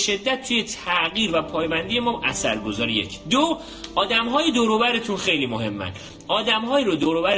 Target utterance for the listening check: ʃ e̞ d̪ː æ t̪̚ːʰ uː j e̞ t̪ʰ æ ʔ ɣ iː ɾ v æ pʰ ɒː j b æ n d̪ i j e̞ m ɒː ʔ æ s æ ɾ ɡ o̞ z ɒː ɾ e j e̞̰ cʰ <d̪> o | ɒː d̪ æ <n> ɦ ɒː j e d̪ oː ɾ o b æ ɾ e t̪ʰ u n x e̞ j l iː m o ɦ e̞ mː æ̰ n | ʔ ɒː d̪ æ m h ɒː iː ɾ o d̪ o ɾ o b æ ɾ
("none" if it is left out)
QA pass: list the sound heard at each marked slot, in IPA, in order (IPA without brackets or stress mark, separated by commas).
d̪, m